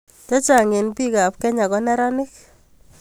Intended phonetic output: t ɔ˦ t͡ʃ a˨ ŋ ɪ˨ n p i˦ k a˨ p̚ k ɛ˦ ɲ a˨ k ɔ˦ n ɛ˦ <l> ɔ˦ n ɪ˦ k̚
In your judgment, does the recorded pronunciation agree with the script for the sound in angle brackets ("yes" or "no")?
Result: no